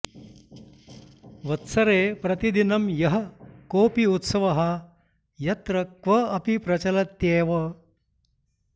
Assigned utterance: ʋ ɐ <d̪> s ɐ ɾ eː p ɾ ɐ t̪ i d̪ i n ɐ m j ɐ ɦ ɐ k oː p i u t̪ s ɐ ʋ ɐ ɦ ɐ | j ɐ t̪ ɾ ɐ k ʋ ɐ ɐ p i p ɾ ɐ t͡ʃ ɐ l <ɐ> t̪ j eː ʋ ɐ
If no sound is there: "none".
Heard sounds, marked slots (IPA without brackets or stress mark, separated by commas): t̪, ɐ